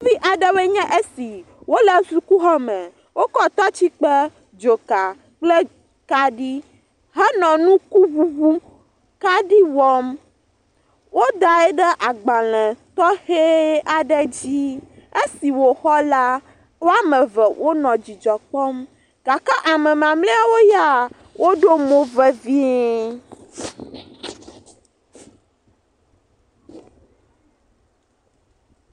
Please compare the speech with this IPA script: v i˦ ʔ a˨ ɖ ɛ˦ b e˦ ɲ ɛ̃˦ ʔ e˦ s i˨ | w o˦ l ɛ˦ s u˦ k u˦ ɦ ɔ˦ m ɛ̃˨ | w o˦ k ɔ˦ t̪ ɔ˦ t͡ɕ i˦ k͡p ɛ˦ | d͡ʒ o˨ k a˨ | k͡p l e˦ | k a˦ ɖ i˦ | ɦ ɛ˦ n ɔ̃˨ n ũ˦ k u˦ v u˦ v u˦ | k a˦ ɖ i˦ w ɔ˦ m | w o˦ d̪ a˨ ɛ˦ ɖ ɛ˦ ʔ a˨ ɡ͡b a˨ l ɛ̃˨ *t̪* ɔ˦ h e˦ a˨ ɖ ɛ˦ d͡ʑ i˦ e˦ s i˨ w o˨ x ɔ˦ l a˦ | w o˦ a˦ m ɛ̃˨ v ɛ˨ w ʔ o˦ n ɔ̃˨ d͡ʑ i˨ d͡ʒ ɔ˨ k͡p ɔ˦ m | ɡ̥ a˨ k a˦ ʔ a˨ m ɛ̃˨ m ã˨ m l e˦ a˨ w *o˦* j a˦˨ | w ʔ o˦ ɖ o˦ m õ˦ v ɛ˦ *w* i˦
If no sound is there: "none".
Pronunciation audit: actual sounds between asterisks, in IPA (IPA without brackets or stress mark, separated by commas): t̪, o˦, v